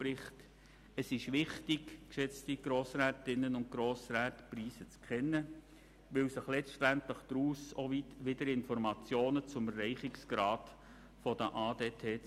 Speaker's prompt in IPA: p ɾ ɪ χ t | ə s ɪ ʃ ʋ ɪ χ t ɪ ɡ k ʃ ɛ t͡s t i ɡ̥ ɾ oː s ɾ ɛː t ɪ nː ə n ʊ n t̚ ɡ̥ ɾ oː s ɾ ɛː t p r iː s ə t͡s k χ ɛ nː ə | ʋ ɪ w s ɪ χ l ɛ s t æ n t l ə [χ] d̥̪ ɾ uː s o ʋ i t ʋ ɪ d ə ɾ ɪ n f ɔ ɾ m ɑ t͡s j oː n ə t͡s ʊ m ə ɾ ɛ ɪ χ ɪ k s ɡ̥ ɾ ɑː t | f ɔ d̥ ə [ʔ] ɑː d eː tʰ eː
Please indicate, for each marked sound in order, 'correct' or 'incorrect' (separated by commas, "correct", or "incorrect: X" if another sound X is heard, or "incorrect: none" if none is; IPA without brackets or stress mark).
correct, correct